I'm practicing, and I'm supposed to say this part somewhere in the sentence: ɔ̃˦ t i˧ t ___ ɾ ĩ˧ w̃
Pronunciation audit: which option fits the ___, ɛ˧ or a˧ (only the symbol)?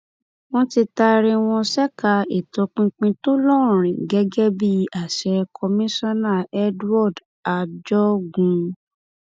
a˧